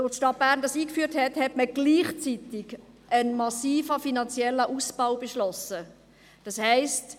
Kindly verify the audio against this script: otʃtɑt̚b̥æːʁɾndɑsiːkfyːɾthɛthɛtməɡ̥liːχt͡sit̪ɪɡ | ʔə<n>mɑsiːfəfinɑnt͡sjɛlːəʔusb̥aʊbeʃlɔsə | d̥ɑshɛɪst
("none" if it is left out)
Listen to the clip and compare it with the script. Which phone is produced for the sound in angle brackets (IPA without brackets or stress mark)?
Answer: n